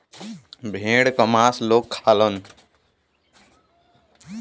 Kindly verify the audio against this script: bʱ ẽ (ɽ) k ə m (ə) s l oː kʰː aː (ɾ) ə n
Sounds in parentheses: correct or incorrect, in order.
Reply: correct, incorrect: a, incorrect: l

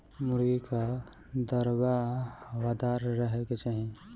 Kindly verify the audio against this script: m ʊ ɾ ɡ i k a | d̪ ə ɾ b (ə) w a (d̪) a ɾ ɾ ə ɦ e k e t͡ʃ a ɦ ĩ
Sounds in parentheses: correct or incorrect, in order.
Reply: incorrect: a, correct

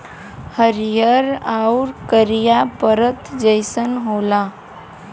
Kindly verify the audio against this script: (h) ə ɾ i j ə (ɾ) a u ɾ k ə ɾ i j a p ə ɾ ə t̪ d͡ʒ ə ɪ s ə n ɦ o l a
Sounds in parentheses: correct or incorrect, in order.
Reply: correct, correct

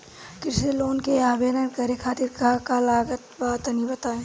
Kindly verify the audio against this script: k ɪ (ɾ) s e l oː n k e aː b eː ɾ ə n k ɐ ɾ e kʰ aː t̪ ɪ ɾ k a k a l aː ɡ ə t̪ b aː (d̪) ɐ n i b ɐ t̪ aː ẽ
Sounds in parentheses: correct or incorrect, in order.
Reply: correct, incorrect: t̪

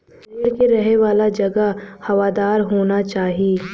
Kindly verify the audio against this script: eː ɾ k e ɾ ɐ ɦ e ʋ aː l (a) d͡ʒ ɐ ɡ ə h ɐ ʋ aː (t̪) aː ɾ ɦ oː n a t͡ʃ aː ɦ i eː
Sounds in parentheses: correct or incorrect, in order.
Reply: correct, incorrect: d̪

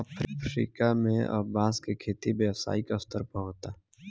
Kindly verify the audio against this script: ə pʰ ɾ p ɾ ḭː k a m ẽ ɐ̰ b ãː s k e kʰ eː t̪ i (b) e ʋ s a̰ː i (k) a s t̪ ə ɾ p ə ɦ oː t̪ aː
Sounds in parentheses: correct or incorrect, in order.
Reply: correct, correct

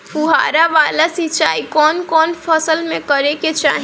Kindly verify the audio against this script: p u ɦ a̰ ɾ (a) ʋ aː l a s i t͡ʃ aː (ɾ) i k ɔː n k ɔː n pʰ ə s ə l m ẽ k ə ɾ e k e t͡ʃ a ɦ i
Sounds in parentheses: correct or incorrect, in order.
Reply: correct, incorrect: none

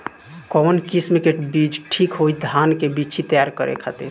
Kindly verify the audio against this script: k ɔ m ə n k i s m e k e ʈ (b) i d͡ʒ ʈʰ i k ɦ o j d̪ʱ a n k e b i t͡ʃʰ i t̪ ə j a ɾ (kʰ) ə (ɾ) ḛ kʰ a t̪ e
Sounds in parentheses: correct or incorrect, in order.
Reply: correct, incorrect: k, correct

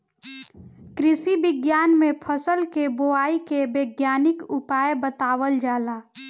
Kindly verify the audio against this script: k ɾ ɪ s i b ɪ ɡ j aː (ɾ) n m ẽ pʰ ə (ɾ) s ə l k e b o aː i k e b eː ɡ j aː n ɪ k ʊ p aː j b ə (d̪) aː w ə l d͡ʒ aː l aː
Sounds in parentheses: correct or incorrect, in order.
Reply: incorrect: none, incorrect: none, incorrect: t̪

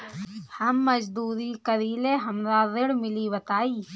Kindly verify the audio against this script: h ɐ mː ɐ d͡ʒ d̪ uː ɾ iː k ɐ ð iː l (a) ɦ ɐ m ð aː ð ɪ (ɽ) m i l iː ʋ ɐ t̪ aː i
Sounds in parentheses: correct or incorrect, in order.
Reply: incorrect: e, correct

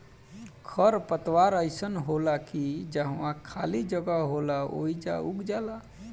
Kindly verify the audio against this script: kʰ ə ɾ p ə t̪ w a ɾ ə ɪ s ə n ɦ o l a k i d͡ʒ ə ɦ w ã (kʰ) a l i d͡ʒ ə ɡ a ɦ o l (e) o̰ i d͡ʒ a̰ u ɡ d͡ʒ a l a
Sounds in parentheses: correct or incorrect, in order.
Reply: correct, incorrect: a

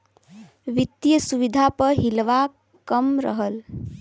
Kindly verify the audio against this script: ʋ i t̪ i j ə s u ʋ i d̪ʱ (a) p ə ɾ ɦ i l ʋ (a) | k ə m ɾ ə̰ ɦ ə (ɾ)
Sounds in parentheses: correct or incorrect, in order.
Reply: correct, correct, incorrect: l

